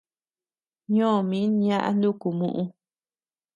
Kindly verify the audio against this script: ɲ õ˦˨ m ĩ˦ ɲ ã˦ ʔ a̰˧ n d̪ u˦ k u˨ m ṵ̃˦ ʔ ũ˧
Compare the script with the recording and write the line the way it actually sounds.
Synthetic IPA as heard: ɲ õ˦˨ m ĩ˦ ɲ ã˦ ʔ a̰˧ n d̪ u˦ k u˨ m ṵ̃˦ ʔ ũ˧

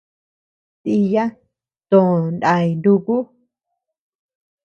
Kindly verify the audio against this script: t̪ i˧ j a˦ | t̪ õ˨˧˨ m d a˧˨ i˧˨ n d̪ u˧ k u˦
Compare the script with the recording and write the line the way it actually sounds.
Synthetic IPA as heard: t̪ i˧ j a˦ | t̪ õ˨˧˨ n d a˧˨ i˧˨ n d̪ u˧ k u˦

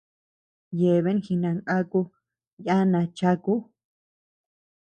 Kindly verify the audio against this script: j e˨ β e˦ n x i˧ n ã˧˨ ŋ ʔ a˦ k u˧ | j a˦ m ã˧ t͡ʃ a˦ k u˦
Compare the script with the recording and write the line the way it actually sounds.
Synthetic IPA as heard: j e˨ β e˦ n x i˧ n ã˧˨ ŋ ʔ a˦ k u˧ | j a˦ n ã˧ t͡ʃ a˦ k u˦

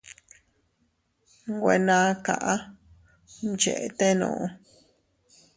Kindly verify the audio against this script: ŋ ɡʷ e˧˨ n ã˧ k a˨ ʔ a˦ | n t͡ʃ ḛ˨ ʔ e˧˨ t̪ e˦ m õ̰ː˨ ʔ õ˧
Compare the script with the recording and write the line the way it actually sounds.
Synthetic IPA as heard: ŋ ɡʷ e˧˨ n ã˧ k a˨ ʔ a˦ | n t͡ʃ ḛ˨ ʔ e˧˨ t̪ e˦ n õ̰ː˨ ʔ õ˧

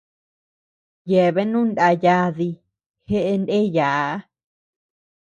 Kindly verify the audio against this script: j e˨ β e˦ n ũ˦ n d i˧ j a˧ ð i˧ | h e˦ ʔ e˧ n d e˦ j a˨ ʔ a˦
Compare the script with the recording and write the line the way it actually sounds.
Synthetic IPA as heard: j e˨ β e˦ n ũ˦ n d a˧ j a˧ ð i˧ | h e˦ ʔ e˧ n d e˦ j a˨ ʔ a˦

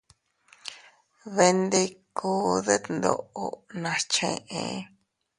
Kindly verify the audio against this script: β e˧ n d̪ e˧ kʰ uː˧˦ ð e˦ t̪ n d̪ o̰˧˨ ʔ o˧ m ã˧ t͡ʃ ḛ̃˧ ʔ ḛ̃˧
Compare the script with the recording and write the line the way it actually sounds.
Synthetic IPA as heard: β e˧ n d̪ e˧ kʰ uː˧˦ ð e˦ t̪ n d̪ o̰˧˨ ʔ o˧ n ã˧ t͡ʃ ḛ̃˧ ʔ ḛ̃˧

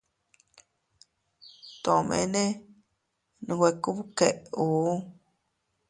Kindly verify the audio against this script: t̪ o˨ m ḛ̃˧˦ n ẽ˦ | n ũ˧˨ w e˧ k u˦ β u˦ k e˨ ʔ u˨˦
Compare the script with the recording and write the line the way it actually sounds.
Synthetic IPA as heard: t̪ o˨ m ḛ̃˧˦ n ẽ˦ | n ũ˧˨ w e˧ k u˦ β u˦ k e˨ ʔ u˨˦

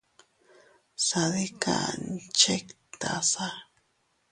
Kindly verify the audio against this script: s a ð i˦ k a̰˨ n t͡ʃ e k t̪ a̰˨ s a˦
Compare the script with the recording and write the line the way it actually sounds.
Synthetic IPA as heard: s a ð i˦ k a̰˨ n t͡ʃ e k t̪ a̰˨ s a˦

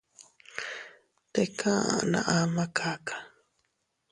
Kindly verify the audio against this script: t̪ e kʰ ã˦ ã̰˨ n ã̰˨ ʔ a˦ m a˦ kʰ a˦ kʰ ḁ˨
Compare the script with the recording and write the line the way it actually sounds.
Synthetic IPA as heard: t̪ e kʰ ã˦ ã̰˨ n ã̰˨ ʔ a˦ m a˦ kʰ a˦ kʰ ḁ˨

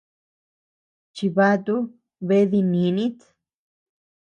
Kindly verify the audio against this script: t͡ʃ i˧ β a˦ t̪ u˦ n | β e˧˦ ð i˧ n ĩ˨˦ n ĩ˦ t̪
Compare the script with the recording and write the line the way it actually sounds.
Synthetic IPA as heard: t͡ʃ i˧ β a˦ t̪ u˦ | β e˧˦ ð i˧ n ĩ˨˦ n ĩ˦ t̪

